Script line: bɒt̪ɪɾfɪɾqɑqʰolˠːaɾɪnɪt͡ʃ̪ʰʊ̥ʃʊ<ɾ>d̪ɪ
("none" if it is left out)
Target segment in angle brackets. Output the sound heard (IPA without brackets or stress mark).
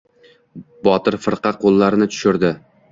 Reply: ɾ